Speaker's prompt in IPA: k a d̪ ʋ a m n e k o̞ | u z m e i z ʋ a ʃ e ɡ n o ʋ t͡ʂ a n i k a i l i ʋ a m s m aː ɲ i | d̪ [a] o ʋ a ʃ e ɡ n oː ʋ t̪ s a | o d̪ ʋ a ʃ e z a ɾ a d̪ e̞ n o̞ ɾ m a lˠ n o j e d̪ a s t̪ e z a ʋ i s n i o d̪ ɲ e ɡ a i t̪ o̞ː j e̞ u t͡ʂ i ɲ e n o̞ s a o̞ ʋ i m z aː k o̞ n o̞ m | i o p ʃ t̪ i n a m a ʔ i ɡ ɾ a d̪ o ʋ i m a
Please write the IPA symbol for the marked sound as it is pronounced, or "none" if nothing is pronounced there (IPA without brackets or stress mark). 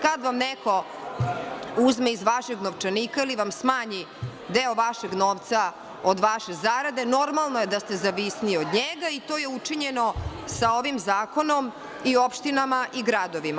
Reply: e